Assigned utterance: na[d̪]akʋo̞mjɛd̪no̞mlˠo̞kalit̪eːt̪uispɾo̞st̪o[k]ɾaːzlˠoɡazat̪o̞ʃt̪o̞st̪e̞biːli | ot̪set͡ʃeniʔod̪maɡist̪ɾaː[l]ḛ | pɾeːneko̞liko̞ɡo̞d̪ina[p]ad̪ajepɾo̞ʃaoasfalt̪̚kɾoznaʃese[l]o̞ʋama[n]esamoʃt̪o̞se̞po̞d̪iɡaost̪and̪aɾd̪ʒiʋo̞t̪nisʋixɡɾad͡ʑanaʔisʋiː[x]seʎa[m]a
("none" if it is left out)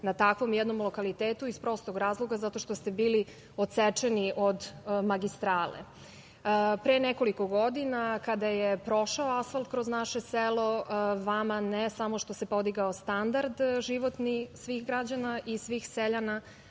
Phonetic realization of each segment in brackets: t̪, ɡ, l, k, l, n, x, n

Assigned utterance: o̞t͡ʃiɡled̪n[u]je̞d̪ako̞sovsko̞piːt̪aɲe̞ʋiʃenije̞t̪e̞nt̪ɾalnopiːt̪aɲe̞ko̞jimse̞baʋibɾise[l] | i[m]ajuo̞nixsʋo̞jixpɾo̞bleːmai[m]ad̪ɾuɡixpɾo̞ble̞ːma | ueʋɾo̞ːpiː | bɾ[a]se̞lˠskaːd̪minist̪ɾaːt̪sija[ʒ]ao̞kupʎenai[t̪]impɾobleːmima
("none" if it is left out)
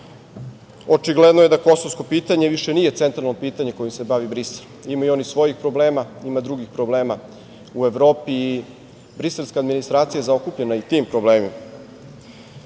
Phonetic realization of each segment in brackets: o, l, m, m, i, z, t̪

